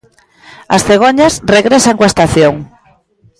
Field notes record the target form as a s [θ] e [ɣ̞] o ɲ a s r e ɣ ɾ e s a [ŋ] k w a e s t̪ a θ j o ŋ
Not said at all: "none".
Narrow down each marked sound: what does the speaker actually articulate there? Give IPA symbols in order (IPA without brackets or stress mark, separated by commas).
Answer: θ, ɣ̞, ŋ